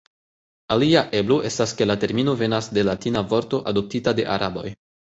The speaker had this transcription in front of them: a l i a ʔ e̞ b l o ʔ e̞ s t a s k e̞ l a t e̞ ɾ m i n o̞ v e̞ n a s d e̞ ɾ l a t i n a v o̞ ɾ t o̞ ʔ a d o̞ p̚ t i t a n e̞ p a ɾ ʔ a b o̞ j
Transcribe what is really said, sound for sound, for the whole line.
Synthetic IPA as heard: a l i a ʔ e̞ b l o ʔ e̞ s t a s k e̞ l a t e̞ ɾ m i n o̞ v e̞ n a s d e̞ l a t i n a v o̞ ɾ t o̞ ʔ a d o̞ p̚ t i t a d e̞ ʔ a ɾ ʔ a b o̞ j